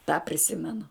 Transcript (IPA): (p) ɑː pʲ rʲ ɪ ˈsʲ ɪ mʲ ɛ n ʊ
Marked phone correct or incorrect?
incorrect